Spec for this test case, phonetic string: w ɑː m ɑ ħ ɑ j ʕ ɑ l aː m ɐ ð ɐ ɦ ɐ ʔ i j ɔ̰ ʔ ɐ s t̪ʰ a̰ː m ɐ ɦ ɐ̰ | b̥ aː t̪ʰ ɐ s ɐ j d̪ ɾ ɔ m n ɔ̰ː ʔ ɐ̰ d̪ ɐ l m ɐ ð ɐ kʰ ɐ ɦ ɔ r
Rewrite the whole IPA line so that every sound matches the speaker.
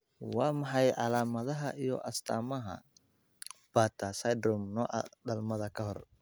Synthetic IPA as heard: w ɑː m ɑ ħ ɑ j ʕ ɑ l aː m ɐ ð ɐ ɦ ɐ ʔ i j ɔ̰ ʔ ɐ s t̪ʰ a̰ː m ɐ ɦ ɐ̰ | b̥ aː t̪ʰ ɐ s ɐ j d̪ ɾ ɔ m n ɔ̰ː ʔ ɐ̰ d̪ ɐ l m ɐ ð ɐ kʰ ɐ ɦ ɔ r